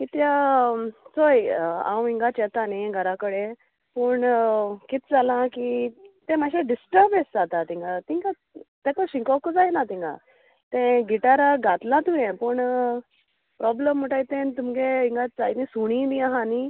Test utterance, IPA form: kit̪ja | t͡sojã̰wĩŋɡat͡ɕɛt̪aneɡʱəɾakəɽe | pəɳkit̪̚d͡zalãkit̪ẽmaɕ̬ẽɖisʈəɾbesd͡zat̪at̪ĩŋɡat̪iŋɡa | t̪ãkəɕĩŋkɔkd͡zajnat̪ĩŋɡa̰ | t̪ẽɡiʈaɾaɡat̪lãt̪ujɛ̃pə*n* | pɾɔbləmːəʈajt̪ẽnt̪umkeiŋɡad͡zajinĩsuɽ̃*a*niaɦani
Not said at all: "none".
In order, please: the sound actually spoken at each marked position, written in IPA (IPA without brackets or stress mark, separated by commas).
ɳ, i